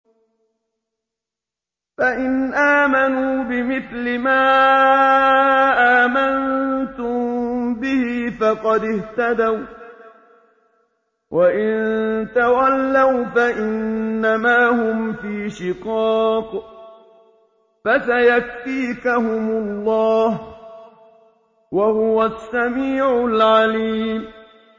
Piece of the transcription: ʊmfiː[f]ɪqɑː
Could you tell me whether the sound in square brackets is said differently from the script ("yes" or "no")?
yes